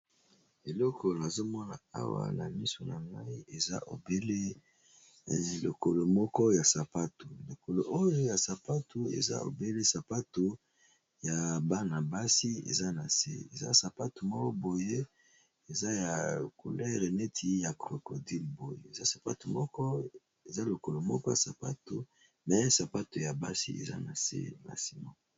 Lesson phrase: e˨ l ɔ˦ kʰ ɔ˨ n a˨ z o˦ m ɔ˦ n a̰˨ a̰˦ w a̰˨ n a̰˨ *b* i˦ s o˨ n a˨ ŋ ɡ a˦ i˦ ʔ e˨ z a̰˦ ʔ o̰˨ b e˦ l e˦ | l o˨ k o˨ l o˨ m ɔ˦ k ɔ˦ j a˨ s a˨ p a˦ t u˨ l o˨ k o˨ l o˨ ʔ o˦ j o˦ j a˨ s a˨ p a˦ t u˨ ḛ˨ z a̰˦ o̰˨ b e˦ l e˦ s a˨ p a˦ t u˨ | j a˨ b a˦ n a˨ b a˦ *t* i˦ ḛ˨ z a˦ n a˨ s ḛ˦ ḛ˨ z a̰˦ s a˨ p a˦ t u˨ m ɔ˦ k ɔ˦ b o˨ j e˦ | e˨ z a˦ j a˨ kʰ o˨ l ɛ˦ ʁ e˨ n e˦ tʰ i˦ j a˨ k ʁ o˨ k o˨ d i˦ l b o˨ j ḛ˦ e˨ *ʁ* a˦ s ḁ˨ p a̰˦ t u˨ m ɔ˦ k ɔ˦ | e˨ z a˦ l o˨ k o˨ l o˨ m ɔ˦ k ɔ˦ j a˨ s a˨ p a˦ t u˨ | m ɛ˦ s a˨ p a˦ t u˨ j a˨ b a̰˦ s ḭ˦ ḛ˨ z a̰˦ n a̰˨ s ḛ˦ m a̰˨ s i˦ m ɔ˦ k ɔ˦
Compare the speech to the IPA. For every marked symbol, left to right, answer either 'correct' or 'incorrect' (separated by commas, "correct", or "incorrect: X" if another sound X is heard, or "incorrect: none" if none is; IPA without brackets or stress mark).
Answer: incorrect: m, incorrect: s, incorrect: z